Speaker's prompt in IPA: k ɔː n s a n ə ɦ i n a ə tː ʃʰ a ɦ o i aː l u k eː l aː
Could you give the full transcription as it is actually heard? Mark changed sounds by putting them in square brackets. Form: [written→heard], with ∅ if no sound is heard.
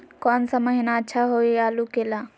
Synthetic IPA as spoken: k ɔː n s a [n→m] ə ɦ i n a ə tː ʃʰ a ɦ o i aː l u k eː l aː